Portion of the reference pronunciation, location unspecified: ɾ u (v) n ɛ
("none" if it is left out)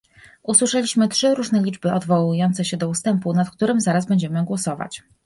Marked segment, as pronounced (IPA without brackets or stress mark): ʐ